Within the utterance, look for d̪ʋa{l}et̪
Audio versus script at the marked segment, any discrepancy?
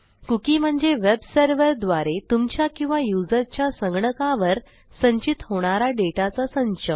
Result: yes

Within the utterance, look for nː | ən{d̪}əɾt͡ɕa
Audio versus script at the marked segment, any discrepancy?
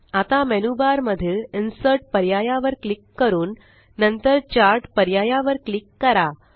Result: yes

